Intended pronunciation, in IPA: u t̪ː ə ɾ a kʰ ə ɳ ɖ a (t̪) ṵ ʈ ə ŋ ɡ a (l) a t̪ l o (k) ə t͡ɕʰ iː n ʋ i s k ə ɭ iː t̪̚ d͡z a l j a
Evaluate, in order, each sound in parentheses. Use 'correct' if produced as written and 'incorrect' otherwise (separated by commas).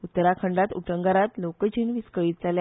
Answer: correct, incorrect, correct